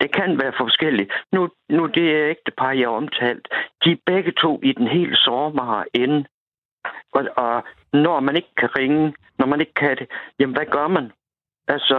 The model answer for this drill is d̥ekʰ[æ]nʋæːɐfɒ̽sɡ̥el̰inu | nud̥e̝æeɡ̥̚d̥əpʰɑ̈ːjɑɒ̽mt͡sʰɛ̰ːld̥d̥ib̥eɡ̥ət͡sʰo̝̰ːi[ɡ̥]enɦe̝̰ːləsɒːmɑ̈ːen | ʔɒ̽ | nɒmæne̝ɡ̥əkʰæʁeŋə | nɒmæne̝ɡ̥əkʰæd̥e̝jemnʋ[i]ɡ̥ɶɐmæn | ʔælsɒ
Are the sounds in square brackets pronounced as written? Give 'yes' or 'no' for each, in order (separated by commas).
yes, no, no